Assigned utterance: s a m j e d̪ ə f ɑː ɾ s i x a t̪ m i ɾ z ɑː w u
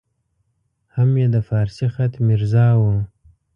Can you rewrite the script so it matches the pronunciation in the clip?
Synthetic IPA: h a m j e d̪ ə f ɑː ɾ s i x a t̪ m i ɾ z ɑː w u